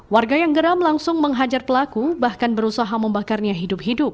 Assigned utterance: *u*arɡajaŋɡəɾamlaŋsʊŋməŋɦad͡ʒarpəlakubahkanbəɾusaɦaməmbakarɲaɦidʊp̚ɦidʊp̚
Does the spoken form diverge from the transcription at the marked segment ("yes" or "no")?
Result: yes